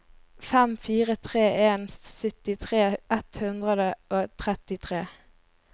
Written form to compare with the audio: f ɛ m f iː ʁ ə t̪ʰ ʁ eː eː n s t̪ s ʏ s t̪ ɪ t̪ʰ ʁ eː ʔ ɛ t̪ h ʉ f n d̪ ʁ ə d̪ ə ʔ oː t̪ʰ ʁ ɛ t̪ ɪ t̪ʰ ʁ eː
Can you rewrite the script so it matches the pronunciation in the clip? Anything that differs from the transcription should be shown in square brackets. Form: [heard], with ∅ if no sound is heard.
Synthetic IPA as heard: f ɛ m f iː ʁ ə t̪ʰ ʁ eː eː n s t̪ s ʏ [∅] t̪ ɪ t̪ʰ ʁ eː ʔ ɛ t̪ h ʉ [∅] n d̪ ʁ ə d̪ ə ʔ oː t̪ʰ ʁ ɛ t̪ ɪ t̪ʰ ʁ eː